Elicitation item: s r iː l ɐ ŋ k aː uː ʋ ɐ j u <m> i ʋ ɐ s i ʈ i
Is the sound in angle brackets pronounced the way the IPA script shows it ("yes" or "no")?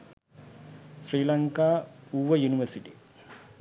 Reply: no